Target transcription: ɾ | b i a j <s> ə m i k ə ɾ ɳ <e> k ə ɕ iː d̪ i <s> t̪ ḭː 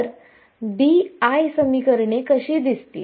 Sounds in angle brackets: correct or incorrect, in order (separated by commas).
correct, correct, correct